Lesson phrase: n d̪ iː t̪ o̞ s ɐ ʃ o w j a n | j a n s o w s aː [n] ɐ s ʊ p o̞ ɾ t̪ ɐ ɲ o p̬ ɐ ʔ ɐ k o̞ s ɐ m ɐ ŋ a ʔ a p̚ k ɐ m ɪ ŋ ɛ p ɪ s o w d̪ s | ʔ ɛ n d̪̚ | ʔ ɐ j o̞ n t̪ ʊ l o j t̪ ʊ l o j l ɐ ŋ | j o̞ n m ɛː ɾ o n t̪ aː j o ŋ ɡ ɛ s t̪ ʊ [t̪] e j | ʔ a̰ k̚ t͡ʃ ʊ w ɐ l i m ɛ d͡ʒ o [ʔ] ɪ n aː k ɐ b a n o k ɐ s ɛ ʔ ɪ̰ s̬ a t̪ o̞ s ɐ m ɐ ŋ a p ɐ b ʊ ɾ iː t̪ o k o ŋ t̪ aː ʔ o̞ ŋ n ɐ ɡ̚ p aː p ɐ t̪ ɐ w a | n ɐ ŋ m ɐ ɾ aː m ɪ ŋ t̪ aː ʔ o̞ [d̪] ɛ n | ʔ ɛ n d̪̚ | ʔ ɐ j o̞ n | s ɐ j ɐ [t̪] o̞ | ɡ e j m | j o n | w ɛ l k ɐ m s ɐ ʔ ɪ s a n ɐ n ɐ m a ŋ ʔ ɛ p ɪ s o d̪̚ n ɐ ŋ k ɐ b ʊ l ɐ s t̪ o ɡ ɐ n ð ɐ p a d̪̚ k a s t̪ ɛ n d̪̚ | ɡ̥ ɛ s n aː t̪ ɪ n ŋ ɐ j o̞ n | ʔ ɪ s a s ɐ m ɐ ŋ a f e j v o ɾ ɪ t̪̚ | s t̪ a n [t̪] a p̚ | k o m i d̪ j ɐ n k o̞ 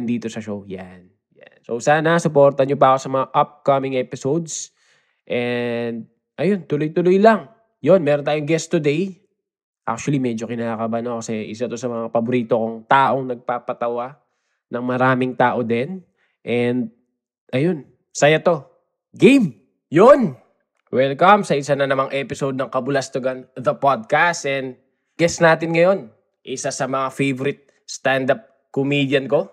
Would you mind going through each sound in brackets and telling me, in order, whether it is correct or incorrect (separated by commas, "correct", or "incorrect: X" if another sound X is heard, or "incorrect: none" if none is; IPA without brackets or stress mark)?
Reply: correct, incorrect: d̪, incorrect: k, correct, correct, incorrect: d̪